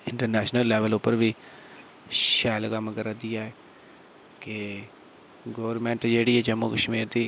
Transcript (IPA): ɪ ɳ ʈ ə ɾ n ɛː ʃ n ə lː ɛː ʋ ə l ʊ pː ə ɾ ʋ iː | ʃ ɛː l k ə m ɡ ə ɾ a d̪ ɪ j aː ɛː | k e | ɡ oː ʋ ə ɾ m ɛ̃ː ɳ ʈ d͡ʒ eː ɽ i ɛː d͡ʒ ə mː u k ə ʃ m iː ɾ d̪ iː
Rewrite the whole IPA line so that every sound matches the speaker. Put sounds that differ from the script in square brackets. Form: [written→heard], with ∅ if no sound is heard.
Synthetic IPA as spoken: ɪ ɳ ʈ ə ɾ n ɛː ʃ n ə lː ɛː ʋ ə l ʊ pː ə ɾ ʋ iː | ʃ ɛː l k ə m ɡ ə ɾ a d̪ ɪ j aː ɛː | k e | ɡ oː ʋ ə ɾ m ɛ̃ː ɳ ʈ d͡ʒ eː ɽ i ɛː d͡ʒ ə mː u k ə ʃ m iː ɾ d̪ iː